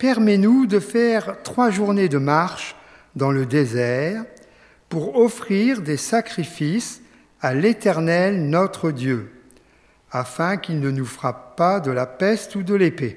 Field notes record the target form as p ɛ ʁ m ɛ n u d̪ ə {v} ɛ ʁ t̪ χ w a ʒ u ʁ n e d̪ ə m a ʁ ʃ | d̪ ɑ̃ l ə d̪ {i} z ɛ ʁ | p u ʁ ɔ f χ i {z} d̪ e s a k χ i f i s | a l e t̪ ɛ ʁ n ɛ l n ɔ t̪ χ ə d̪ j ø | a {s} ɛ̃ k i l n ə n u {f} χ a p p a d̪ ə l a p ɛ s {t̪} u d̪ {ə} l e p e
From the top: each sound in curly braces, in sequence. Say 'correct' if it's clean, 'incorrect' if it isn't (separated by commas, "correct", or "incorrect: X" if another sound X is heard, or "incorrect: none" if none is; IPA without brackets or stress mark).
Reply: incorrect: f, incorrect: e, incorrect: ʁ, incorrect: f, correct, correct, correct